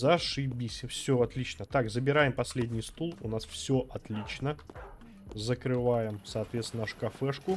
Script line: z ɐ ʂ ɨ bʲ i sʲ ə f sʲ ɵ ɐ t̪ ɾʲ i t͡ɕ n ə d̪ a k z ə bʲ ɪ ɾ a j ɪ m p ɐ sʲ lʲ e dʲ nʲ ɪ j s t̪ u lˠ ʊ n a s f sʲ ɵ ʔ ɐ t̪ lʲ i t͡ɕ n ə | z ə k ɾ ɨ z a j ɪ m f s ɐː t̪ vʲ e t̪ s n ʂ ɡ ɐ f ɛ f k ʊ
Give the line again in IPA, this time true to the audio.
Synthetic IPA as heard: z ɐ ʂ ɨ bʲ i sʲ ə f sʲ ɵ ɐ t̪ lʲ i t͡ɕ n ə t̪ a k z ə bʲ ɪ ɾ a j ɪ m p ɐ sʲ lʲ e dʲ nʲ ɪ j s t̪ u lˠ ʊ n a s f sʲ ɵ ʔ ɐ t̪ lʲ i t͡ɕ n ə | z ə k ɾ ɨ v a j ɪ m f s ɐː t̪ vʲ e t̪ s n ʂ k ɐ f ɛ ʂ k ʊ